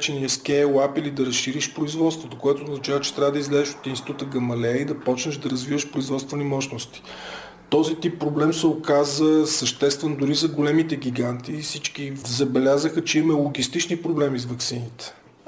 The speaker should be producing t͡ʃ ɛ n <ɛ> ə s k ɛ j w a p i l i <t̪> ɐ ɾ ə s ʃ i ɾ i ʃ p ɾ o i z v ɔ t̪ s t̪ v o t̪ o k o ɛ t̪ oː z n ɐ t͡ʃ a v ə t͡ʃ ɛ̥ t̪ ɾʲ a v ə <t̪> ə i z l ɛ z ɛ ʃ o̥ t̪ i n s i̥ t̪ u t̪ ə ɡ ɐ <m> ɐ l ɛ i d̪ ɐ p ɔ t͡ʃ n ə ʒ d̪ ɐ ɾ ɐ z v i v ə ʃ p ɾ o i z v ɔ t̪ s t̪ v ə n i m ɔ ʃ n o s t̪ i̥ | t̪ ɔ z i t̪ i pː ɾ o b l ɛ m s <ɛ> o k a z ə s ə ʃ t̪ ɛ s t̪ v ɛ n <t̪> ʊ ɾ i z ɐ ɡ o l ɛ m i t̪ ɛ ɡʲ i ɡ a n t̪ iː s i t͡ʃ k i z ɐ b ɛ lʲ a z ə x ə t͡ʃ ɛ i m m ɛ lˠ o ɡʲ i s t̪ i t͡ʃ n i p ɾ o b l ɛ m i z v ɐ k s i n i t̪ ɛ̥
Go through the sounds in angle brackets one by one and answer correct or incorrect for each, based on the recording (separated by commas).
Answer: incorrect, incorrect, incorrect, correct, correct, incorrect